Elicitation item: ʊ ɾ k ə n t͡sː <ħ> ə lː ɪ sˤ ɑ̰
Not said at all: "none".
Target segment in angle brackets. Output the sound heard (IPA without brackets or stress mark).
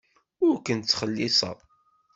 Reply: χ